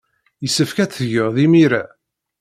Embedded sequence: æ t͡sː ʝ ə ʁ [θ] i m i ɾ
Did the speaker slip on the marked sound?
yes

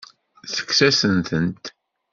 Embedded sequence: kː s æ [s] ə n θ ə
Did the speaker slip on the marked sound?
no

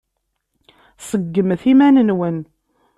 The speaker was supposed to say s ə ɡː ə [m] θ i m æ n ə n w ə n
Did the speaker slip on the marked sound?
no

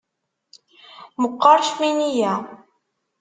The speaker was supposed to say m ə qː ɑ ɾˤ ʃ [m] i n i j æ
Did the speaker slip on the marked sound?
no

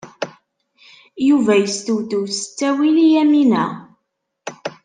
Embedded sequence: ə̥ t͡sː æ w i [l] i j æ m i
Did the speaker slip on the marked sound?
no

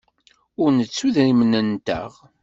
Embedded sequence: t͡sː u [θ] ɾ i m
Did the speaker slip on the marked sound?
yes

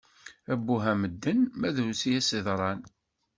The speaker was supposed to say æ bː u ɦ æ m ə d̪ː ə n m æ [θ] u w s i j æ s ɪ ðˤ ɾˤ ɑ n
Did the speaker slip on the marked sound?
yes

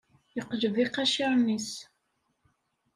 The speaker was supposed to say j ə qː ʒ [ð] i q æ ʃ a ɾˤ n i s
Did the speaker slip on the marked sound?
yes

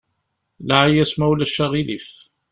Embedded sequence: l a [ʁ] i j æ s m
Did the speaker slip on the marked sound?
yes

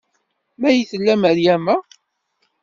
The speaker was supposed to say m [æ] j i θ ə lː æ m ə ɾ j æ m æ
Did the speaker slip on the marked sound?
no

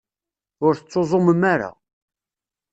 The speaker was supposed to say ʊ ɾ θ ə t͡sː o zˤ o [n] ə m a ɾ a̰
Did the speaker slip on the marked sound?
yes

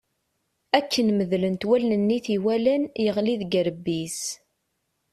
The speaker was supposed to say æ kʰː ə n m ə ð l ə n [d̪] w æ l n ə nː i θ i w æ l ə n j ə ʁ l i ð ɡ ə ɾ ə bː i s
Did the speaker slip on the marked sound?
yes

